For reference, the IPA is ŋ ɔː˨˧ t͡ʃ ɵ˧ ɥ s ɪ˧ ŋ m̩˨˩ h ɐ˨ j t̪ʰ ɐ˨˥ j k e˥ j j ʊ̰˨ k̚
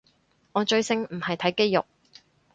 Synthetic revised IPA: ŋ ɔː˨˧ t͡ʃ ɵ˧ ɥ s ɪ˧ ŋ m̩˨˩ h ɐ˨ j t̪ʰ ɐ˨˥ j k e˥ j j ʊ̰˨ k̚

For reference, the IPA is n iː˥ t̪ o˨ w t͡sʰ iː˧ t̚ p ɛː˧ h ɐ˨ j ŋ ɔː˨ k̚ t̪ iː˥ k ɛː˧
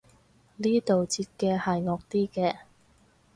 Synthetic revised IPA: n iː˥ t̪ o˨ w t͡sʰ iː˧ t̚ k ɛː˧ h ɐ˨ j ŋ ɔː˨ k̚ t̪ iː˥ k ɛː˧

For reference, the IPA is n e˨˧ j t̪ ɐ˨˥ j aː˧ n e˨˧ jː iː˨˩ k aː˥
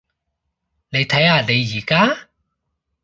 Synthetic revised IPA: n e˨˧ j t̪ʰ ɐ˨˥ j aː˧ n e˨˧ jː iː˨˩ k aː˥

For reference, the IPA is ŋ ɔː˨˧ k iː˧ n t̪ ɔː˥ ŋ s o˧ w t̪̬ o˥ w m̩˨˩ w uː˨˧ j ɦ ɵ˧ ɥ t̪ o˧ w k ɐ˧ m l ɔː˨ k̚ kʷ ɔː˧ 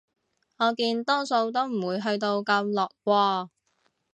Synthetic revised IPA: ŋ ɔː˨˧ k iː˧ n t̪ ɔː˥ ŋ s o˧ w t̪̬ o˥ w m̩˨˩ w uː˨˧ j ɦ ɵ˧ ɥ t̪ o˧ w k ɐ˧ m l ɔː˨ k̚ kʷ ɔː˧

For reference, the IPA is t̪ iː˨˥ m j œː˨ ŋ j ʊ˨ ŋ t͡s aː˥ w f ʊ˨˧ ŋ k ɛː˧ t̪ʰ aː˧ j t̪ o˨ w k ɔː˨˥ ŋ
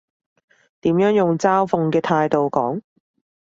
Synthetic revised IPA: t̪ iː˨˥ m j œː˨˥ ŋ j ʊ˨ ŋ t͡s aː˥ w f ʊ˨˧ ŋ k ɛː˧ t̪ʰ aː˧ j t̪ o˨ w k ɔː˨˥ ŋ

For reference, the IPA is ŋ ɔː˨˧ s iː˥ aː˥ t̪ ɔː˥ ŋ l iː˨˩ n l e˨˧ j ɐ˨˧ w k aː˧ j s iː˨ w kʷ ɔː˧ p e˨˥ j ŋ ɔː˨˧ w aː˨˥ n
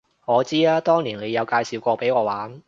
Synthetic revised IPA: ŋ ɔː˨˧ t͡s iː˥ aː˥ t̪ ɔː˥ ŋ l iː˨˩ n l e˨˧ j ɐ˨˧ w k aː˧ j s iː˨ w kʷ ɔː˧ p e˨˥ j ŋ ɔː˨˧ w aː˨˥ n

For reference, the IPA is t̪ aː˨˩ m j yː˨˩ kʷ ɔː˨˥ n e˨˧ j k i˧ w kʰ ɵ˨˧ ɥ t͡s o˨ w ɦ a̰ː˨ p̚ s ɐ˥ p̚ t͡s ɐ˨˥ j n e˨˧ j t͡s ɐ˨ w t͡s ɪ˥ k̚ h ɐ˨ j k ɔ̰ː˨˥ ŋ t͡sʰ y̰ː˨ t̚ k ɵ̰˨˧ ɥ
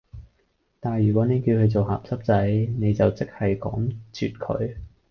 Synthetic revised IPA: t̪ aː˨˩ n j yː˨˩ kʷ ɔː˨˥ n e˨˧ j k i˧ w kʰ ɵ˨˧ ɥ t͡s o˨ w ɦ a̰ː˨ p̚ s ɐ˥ p̚ t͡s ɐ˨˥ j n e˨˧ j t͡s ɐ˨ w t͡s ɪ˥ k̚ h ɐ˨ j k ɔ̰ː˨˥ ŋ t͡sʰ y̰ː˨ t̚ kʰ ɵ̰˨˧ ɥ

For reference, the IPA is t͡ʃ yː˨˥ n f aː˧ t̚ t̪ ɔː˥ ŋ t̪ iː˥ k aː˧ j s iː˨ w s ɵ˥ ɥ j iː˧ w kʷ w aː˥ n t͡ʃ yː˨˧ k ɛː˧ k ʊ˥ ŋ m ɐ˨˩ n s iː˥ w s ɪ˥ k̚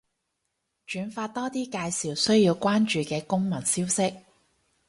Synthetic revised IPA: t͡ʃ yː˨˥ n f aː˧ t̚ t̪ ɔː˥ t̪ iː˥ k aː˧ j s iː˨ w s ɵ˥ ɥ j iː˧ w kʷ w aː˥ n t͡ʃ yː˨˧ k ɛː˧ k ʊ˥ ŋ m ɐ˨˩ n s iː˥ w s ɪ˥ k̚

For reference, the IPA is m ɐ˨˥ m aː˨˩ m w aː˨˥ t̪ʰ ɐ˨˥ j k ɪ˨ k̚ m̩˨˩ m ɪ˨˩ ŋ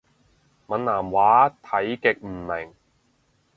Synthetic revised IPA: m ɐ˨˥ n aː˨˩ m w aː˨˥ t̪ʰ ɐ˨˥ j k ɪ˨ k̚ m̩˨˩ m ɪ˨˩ ŋ

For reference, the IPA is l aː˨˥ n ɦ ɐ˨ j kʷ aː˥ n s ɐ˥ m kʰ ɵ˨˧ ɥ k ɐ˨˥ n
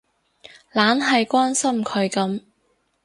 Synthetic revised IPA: l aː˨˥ n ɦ ɐ˨ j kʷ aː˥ n s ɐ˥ m kʰ ɵ˨˧ ɥ k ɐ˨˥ m

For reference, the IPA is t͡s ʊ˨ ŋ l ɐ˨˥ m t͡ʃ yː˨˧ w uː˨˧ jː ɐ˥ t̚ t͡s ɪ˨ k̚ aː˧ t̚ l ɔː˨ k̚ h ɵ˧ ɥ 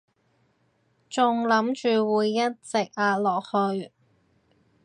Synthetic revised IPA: t͡s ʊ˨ ŋ l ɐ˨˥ m t͡ʃ yː˨˧ w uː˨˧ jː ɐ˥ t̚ t͡s ɪ˨ k̚ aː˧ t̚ l ɔː˨ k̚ h ɵ˧ ɥ

